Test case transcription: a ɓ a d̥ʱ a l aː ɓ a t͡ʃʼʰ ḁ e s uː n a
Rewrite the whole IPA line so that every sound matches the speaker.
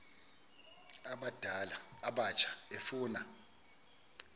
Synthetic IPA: a ɓ a d̥ʱ a l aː ɓ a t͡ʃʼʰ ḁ e f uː n a